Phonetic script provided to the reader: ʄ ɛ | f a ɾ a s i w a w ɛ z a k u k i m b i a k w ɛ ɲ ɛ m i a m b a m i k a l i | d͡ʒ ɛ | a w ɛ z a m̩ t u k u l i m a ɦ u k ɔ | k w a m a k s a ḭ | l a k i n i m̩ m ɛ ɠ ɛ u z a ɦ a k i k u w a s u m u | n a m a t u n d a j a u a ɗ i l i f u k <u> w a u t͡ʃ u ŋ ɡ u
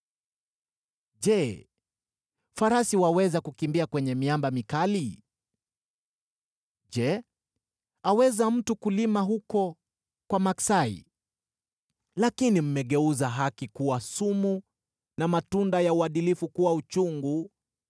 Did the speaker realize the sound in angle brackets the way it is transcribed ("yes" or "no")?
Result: yes